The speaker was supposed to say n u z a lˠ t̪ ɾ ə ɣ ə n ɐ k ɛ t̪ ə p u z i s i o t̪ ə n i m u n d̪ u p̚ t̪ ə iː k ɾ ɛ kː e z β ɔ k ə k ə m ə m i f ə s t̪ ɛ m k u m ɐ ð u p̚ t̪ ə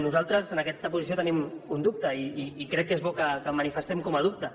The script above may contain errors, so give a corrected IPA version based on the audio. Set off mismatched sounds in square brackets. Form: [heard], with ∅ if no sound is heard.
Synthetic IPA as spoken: n u z a lˠ t̪ ɾ ə [z] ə n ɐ k ɛ t̪ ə p u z i s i o t̪ ə n i m u n d̪ u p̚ t̪ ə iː k ɾ ɛ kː e z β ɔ k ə k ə m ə [n] i f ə s t̪ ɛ m k [ɔ] m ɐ ð u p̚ t̪ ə